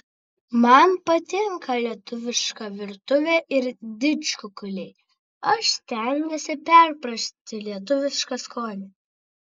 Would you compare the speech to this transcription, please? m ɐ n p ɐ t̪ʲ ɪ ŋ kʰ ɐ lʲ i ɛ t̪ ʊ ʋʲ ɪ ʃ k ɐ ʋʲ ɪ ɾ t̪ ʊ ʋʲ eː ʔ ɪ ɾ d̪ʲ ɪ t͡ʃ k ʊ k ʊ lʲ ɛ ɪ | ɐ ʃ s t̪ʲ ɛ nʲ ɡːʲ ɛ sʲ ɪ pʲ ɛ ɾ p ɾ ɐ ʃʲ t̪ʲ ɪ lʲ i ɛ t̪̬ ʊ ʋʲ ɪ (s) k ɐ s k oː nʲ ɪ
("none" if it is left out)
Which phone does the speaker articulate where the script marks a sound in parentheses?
ʃ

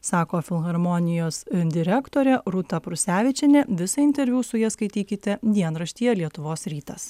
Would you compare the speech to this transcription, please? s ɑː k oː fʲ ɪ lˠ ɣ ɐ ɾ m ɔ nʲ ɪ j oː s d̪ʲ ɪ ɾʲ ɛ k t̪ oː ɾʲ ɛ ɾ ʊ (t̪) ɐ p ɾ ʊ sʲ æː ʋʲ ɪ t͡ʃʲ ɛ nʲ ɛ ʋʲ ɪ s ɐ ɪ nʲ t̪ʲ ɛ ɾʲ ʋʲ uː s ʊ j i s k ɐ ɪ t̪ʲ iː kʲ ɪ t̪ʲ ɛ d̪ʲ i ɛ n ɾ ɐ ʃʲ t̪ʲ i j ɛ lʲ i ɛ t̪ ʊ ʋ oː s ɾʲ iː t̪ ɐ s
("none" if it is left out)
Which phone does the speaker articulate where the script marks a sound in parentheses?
t̪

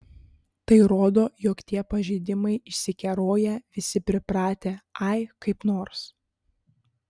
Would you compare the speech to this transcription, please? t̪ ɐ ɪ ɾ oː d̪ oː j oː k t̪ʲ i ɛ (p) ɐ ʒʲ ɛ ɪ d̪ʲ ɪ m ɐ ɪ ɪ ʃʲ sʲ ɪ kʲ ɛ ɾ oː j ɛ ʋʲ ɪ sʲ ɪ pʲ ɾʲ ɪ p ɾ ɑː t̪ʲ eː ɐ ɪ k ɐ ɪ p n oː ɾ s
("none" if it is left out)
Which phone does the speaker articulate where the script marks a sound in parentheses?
p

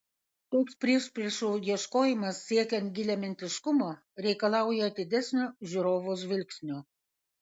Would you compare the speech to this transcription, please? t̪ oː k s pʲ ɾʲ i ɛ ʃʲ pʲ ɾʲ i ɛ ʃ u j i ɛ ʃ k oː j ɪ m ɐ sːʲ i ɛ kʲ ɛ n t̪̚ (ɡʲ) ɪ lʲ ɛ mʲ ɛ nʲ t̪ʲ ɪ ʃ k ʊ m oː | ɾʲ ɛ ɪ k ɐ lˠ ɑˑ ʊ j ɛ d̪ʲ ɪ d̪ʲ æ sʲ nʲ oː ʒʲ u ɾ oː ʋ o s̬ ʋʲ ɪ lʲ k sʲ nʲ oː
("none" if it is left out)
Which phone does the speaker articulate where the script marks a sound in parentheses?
ɡʲ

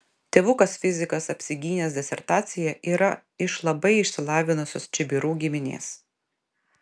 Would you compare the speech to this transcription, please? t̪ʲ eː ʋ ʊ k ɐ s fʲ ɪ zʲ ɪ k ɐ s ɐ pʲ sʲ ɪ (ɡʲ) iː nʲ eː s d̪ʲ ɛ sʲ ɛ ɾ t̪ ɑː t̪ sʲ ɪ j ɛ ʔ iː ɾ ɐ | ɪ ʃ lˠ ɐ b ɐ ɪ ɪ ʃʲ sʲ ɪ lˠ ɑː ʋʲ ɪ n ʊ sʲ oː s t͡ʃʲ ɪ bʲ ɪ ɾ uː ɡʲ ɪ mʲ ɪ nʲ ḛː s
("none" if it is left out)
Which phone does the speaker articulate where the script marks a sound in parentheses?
ɡʲ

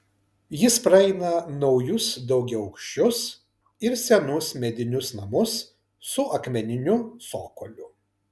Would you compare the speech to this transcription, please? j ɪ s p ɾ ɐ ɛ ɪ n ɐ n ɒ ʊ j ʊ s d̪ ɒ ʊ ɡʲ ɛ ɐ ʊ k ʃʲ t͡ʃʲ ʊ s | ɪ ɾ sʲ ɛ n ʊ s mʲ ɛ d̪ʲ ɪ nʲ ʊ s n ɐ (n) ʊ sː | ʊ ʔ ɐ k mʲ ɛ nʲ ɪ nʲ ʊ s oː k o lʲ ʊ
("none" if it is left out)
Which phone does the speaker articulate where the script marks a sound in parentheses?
m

